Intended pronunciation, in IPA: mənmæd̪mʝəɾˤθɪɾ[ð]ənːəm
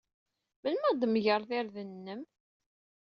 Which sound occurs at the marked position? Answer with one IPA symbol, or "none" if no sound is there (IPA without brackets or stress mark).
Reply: ð